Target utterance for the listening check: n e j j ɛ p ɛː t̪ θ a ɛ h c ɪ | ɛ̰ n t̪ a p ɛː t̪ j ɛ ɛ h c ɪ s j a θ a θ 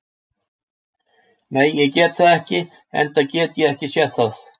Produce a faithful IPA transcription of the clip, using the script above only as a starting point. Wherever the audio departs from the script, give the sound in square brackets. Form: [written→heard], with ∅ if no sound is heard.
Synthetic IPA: n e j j ɛ [p→c] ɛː t̪ θ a ɛ h c ɪ | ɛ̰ n t̪ a [p→c] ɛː t̪ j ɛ ɛ h c ɪ s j [a→ɛ] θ a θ